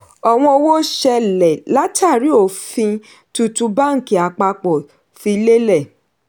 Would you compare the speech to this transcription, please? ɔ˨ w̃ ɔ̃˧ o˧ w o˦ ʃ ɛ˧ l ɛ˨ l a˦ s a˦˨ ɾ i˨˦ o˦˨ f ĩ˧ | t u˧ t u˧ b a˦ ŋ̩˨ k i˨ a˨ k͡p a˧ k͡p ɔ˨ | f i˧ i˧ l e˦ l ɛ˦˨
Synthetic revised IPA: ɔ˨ w̃ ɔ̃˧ o˧ w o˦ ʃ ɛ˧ l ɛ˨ l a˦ t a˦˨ ɾ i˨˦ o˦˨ f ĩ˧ | t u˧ t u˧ b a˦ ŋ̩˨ k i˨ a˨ k͡p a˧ k͡p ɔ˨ | f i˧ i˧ l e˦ l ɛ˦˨